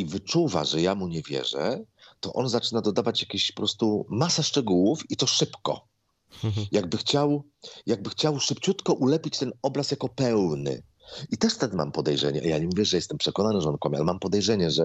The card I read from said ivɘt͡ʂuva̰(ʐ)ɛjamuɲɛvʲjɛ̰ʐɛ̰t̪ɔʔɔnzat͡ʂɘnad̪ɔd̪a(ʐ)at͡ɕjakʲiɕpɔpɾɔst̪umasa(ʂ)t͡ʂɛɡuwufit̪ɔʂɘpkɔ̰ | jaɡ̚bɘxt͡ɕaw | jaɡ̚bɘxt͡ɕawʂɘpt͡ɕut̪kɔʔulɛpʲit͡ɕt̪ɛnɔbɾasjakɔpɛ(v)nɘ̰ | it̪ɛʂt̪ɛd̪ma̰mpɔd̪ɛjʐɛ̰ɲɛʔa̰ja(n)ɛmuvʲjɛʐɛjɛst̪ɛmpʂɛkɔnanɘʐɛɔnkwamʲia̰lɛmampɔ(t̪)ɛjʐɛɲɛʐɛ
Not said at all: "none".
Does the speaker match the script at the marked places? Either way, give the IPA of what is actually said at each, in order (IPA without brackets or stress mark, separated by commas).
ʐ, v, ʂ, w, ɲ, d̪